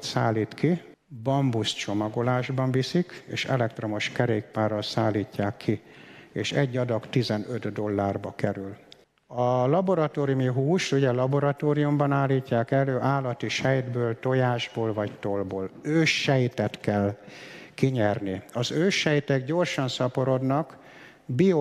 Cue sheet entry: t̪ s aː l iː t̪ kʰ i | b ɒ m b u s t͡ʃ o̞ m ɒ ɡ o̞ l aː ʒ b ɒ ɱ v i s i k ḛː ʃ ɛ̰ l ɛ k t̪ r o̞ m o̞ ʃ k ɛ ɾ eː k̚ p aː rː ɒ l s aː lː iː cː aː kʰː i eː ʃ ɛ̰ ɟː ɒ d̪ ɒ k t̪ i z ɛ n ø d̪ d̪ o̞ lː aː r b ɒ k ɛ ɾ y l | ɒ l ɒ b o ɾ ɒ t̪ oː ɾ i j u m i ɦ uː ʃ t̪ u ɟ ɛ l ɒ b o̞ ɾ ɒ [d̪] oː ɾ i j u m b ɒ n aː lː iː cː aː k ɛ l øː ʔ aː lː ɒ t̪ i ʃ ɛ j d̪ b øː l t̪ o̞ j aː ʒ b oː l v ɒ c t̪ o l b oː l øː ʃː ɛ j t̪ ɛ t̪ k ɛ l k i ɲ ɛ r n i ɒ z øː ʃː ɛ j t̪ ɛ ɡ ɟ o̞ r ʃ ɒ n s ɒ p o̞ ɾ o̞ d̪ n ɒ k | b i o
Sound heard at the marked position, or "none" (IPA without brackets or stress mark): t̪